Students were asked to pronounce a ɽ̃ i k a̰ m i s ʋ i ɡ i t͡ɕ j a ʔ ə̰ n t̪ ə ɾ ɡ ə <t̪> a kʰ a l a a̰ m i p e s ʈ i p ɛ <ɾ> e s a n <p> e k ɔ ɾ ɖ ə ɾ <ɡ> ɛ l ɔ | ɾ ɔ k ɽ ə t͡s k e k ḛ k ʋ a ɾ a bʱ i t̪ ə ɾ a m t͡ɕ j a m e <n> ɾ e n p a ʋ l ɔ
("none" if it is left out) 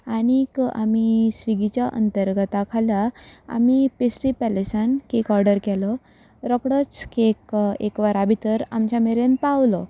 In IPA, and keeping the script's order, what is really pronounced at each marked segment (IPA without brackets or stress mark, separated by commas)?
t̪, l, k, k, none